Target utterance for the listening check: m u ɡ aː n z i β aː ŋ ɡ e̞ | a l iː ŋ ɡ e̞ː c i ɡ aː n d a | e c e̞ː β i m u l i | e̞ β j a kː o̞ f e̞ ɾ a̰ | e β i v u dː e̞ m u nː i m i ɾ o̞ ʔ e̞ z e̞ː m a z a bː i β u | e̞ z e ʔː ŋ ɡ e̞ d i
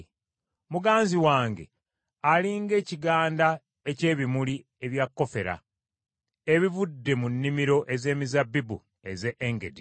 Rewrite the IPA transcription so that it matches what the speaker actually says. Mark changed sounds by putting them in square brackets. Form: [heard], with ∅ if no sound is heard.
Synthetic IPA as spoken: m u ɡ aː n z i [w] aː ŋ ɡ e̞ | a l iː ŋ ɡ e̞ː c i ɡ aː n d a | e c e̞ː β i m u l i | e̞ β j a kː o̞ f e̞ ɾ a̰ | e β i v u dː e̞ m u nː i m i ɾ o̞ ʔ e̞ z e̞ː m [i] z a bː i [b] u | e̞ z e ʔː ŋ ɡ e̞ d i

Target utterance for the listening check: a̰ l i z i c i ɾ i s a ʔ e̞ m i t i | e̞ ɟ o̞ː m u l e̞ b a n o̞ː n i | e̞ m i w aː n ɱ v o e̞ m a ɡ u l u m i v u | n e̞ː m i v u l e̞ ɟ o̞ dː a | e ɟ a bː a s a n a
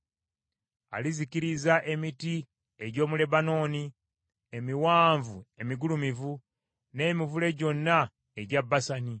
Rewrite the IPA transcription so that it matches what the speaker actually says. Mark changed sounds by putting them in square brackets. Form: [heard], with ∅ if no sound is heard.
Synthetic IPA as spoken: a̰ l i z i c i ɾ i [z] a ʔ e̞ m i t i | e̞ ɟ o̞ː m u l e̞ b a n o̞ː n i | e̞ m i w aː [∅] ɱ v [u] e̞ m [i] ɡ u l u m i v u | n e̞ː m i v u l e̞ ɟ o̞ [nː] a | e ɟ a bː a s a n [i]

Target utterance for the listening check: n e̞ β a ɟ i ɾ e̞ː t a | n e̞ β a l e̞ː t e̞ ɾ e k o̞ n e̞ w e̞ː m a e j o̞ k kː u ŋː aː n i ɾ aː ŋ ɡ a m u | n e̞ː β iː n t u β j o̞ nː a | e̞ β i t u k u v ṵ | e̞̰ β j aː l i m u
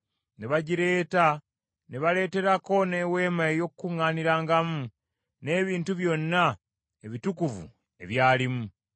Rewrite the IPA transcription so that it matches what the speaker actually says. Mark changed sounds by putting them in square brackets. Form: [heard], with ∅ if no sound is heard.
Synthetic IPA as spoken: n e̞ β a ɟ i ɾ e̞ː t a | n e̞ β a l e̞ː t e̞ ɾ [a] k o̞ n e̞ w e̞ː m a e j o̞ k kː u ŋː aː n i ɾ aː ŋ ɡ a m u | n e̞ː β iː n t u β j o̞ nː a | e̞ β i t u k u v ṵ | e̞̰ β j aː l i m u

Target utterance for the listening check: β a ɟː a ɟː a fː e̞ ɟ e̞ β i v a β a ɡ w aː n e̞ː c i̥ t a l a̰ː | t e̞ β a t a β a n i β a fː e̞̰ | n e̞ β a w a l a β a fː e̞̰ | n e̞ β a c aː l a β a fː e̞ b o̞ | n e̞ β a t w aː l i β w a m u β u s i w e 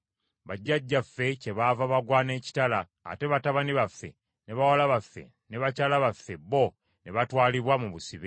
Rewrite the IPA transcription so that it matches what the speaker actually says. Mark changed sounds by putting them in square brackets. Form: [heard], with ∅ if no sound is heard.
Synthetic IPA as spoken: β a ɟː a ɟː a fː e̞ [c] e̞ β [a] v a β a ɡ w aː n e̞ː c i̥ t a l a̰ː | t e̞ β a t a β a n i β a fː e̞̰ | n e̞ β a w a l a β a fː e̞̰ | n e̞ β a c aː l a β a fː e̞ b o̞ | n e̞ β a t w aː l i β w a m u β u s i [β] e

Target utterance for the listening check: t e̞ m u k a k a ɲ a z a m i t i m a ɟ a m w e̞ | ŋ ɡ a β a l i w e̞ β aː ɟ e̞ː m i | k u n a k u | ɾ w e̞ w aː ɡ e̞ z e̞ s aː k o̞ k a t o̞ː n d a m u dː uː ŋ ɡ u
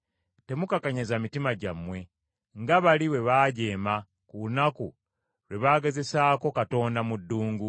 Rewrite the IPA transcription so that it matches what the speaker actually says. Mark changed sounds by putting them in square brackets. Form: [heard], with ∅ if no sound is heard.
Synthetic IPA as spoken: t e̞ m u k a k a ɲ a z a m i t i m a ɟ a m w e̞ | ŋ ɡ a β a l i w e̞ β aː ɟ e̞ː m [a] | k u n a k u | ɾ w e̞ [β] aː ɡ e̞ z e̞ s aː k o̞ k a t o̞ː n d a m u dː uː ŋ ɡ u

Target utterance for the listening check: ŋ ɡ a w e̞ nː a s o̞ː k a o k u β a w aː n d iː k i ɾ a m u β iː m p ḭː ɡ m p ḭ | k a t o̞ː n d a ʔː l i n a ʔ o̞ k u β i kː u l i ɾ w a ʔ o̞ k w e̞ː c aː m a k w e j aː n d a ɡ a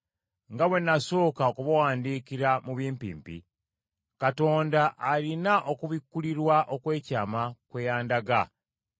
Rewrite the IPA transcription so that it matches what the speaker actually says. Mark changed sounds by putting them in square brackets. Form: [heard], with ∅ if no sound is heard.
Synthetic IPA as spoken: ŋ ɡ a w e̞ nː a s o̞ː k a o k u β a w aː n d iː k i ɾ a m u β iː m p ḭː [∅] m p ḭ | k a t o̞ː n d a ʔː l i n a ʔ o̞ k u β i kː u l i ɾ w a ʔ o̞ k w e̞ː c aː m a k w e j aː n d a ɡ a

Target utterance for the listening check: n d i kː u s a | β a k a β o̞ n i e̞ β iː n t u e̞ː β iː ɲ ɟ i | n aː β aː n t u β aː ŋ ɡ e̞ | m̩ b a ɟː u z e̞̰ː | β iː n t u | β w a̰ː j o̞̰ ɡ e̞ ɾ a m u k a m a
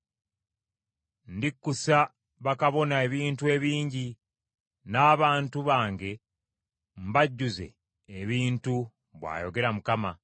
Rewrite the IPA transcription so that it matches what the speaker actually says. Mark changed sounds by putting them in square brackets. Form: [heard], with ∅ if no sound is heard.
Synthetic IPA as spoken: n d i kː u s a | β a k a β o̞ n [a] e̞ β iː n t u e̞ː β iː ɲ ɟ i | n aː β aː n t u β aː ŋ ɡ e̞ | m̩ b a ɟː u z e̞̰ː | β iː n t u | β w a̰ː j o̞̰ ɡ e̞ ɾ a m u k a m a

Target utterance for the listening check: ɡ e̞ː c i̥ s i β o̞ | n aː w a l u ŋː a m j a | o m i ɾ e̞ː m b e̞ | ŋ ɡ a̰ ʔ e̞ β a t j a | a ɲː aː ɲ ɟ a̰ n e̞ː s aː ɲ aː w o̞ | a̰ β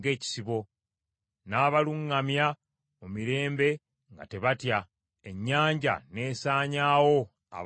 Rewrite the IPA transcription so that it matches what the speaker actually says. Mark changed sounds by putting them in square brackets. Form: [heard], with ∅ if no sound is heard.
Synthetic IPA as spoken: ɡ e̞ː c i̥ s i β o̞ | n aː [β] a l u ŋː a m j a | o m i ɾ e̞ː m b e̞ | ŋ ɡ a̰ [t] e̞ β a t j a | [e] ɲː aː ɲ ɟ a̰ n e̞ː s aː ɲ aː w o̞ | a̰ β

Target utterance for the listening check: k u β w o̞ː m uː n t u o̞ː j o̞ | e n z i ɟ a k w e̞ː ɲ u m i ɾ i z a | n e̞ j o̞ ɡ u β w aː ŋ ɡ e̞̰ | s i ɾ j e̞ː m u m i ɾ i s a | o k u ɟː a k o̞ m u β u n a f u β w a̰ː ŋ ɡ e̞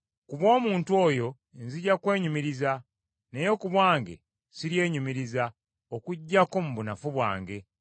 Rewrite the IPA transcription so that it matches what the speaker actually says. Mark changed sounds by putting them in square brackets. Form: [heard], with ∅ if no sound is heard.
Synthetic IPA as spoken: k u β w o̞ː m uː n t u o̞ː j o̞ | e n z i ɟ a k w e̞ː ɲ u m i ɾ i z a | n e̞ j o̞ [k] u β w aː ŋ ɡ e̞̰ | s i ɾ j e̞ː [ɲ] u m i ɾ i [z] a | o k u ɟː a k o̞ m u β u n a f u β w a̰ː ŋ ɡ e̞

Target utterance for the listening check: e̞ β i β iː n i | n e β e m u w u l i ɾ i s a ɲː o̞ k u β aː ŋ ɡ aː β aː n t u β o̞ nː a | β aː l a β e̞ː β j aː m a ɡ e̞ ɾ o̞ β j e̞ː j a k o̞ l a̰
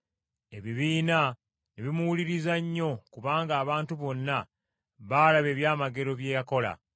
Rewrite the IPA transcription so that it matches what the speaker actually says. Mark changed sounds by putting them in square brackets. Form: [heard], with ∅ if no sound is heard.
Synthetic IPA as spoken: e̞ β i β iː n [a] | n e β [i] m u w u l i ɾ i [z] a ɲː o̞ k u β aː ŋ ɡ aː β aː n t u β o̞ nː a | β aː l a β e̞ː β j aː m a ɡ e̞ ɾ o̞ β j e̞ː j a k o̞ l a̰

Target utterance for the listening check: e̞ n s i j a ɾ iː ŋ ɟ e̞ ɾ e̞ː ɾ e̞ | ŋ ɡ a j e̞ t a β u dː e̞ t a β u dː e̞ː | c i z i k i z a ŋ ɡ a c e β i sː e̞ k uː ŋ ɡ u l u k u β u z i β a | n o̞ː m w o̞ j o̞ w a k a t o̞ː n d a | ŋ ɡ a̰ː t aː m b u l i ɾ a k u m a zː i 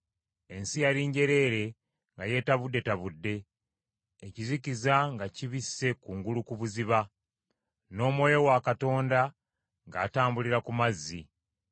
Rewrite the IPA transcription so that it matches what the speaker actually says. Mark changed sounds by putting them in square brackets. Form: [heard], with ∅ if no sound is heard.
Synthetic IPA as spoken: e̞ n s i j a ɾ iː [ɲ] ɟ e̞ ɾ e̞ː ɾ e̞ | ŋ ɡ a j e̞ t a β u dː e̞ t a β u dː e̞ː | c i z i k i z a ŋ ɡ a c [i] β i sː e̞ k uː ŋ ɡ u l u k u β u z i β a | n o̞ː m w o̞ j o̞ w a k a t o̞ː n d a | ŋ ɡ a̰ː t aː m b u l i ɾ a k u m a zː i

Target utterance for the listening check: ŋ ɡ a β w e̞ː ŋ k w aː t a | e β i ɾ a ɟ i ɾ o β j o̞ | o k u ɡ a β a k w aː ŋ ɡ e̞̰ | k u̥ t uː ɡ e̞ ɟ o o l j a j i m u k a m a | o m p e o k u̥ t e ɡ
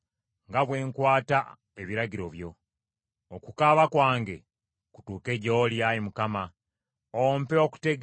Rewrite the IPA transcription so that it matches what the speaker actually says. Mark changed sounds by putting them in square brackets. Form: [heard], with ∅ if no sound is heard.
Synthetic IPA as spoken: ŋ ɡ a β w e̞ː ŋ k w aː t a | e β i ɾ a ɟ i ɾ o β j o̞ | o k u [k] a β a k w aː ŋ ɡ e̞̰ | k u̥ t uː [k] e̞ ɟ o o l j a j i m u k a m a | o m p e o k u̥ t e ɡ

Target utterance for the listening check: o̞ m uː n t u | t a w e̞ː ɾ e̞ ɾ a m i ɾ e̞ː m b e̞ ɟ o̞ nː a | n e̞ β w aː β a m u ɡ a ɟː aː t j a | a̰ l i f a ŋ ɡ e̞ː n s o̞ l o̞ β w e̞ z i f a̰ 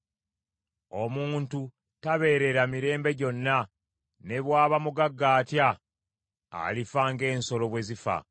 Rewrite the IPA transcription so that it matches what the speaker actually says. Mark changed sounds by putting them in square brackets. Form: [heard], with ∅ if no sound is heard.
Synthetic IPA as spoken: o̞ m uː n t u | t a [β] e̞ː ɾ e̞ ɾ a m i ɾ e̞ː m b e̞ ɟ o̞ nː a | n e̞ β w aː β a m u ɡ a [ɡː] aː t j a | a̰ l i f a ŋ ɡ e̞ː n s o̞ l o̞ β w e̞ z i f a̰

